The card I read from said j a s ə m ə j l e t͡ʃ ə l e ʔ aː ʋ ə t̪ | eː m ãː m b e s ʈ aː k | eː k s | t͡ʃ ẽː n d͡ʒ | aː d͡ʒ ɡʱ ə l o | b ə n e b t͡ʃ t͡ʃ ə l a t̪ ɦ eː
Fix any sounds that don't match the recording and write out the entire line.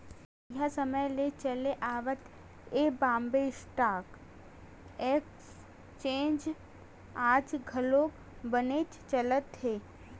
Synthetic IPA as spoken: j a s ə m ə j l e t͡ʃ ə l e ʔ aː ʋ ə t̪ | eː b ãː m b e s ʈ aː k | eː k s | t͡ʃ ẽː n d͡ʒ | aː d͡ʒ ɡʱ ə l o | b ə n e t͡ʃ t͡ʃ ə l ə t̪ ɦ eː